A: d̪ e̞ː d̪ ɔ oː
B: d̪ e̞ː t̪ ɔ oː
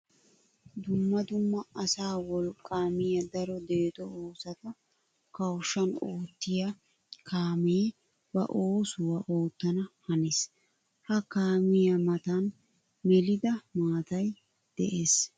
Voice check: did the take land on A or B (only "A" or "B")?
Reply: B